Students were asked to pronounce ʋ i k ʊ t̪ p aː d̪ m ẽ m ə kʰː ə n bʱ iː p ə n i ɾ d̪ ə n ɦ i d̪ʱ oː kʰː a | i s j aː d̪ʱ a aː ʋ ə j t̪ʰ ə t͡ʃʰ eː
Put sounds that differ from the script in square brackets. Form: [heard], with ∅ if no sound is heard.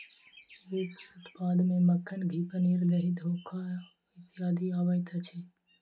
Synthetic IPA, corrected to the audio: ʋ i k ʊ t̪ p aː d̪ m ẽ m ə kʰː ə n [ɡʱ] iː p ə n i ɾ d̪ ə [∅] ɦ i d̪ʱ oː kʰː a | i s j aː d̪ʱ [i] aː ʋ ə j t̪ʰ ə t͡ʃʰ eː